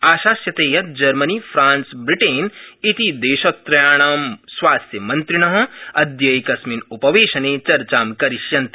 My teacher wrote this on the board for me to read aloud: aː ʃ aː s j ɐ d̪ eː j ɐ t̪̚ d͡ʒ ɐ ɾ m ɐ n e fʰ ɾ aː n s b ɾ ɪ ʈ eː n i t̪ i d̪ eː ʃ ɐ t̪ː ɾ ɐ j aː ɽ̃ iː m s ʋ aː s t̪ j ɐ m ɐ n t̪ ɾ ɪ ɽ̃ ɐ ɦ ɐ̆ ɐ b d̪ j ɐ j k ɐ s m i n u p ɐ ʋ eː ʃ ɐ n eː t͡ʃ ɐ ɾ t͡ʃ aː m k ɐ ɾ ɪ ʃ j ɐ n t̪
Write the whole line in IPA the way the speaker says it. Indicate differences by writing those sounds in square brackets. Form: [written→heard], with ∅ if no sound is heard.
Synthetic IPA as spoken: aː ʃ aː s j ɐ [d̪→t̪] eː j ɐ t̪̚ d͡ʒ ɐ ɾ m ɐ n [e→i] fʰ ɾ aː n s b ɾ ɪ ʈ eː n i t̪ i d̪ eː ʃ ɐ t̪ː ɾ ɐ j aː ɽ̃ [iː→aː] m s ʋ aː s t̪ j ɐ m ɐ n t̪ ɾ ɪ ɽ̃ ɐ ɦ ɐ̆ ɐ [b→∅] d̪ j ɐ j k ɐ s m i n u p ɐ ʋ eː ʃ ɐ n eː t͡ʃ ɐ ɾ t͡ʃ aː m k ɐ ɾ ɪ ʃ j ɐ n t̪